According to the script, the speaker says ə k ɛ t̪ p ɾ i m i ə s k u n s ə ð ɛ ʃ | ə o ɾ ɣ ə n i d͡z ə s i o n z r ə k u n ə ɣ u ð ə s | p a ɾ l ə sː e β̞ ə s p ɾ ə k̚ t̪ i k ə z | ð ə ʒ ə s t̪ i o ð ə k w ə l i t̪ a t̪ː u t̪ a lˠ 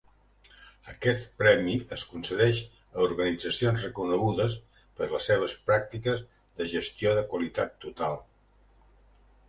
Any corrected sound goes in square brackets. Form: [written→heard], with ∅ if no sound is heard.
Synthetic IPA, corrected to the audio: ə k ɛ t̪ p ɾ [i→ɛ] m i ə s k u n s ə ð ɛ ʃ | ə [o→u] ɾ ɣ ə n i d͡z ə s i o n z r ə k u n ə ɣ u ð ə s | p [a→ə] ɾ l ə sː e β̞ ə s p ɾ [ə→a] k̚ t̪ i k ə z | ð ə ʒ ə s t̪ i o ð ə k w ə l i t̪ a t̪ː u t̪ a lˠ